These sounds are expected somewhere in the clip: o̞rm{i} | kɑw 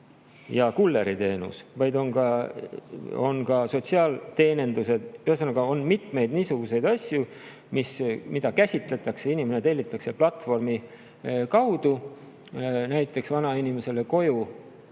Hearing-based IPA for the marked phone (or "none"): i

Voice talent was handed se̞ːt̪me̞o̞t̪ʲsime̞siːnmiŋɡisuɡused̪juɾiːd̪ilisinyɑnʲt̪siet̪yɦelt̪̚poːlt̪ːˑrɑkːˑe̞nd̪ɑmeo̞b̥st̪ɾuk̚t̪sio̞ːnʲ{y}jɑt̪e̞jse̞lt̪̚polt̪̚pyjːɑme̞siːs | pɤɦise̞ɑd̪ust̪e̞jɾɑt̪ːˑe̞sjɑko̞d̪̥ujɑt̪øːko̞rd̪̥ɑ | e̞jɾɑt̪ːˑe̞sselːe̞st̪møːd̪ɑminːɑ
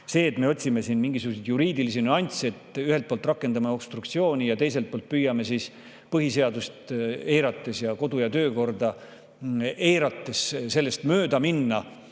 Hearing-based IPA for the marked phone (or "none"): i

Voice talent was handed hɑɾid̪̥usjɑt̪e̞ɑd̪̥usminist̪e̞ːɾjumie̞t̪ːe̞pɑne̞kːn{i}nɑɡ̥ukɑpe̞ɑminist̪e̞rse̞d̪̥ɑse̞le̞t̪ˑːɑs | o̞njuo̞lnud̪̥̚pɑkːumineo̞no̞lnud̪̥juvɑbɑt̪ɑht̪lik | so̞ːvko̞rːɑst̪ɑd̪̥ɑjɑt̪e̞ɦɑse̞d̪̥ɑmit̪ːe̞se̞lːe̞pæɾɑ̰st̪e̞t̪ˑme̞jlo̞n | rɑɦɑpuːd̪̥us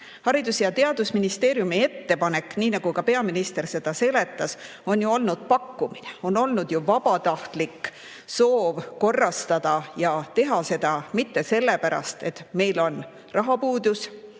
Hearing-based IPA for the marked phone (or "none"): iː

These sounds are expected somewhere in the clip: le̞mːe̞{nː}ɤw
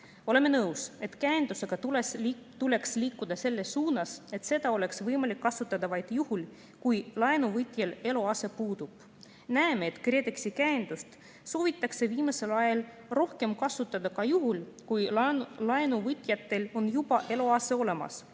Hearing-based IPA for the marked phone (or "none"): n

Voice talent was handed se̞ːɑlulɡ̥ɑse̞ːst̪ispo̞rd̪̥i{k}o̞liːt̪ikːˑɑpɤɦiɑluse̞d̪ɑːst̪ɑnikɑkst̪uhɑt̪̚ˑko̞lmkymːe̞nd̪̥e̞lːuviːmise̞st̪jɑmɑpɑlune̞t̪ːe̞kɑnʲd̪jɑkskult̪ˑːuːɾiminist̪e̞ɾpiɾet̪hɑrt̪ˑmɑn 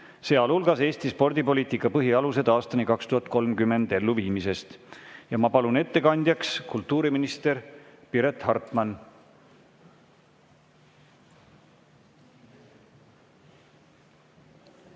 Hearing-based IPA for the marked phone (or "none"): p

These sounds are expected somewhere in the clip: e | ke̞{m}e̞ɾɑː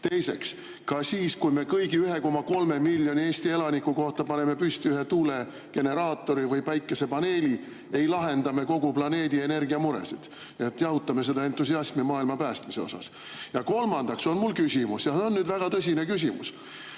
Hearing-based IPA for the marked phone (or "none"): n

